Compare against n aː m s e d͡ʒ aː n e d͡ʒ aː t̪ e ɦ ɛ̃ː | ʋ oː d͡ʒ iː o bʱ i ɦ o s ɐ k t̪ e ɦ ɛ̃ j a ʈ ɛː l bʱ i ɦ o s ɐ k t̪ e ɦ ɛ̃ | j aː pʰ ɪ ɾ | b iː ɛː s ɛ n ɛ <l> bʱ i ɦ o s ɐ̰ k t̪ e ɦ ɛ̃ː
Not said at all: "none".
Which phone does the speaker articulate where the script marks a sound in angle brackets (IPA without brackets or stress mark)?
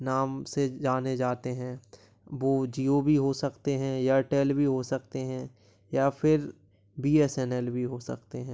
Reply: l